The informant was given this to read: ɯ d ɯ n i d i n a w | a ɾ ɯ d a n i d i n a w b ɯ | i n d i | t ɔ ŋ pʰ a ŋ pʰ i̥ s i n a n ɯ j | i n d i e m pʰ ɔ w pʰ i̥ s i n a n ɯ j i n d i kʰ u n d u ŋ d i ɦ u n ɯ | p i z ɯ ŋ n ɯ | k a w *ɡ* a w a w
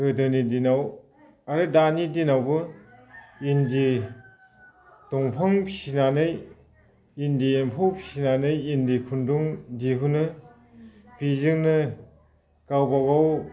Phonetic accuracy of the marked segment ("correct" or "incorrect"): incorrect